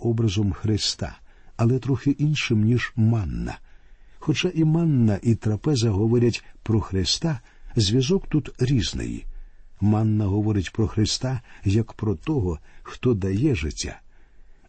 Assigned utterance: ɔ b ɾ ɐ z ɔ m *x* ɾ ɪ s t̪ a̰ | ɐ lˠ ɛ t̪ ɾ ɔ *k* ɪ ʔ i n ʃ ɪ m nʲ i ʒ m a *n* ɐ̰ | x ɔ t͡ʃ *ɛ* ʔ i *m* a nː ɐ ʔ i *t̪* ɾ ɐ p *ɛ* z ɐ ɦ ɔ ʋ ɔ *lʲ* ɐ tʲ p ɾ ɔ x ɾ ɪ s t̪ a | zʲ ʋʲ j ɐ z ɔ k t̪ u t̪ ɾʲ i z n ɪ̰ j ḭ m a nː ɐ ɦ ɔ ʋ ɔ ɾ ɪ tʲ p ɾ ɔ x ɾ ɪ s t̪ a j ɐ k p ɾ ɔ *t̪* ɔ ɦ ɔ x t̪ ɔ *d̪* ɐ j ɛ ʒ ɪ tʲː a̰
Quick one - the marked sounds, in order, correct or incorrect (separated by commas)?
correct, incorrect, incorrect, incorrect, correct, correct, correct, incorrect, correct, correct